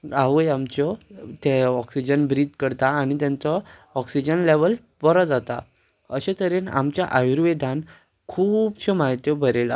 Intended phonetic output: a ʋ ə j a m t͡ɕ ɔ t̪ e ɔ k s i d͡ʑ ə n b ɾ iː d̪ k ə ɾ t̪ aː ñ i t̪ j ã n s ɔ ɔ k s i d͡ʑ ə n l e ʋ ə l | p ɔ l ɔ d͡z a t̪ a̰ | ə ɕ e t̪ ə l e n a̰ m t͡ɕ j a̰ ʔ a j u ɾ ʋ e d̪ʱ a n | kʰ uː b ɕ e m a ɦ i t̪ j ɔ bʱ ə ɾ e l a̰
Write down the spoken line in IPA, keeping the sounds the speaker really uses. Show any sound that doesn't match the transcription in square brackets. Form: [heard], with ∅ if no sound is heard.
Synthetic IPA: a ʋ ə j a m t͡ɕ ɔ t̪ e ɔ k s i d͡ʑ ə n b ɾ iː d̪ k ə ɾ t̪ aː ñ i t̪ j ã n [t͡s] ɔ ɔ k s i d͡ʑ ə n l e ʋ ə l | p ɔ [ɾ] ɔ d͡z a t̪ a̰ | ə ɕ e t̪ ə [ɾ] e n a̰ m t͡ɕ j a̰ ʔ a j u ɾ ʋ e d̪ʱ a n | kʰ uː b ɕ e m a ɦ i t̪ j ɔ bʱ ə ɾ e l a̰